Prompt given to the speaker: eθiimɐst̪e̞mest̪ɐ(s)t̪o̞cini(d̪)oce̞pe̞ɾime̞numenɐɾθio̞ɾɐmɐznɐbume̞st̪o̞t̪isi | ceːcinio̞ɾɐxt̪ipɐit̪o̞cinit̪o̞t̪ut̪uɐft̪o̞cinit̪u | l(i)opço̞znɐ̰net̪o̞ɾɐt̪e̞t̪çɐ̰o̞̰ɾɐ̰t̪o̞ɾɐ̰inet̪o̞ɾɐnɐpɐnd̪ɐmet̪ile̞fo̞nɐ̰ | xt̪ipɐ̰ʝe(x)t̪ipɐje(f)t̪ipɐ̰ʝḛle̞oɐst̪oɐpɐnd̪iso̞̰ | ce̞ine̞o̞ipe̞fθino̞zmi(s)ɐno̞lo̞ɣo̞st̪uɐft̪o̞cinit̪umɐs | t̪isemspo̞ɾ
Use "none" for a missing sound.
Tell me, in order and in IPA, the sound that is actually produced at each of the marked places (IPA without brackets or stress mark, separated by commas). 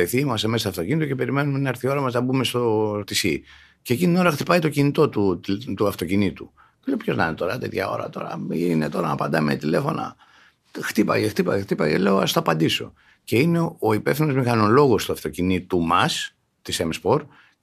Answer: f, t̪, e, x, x, x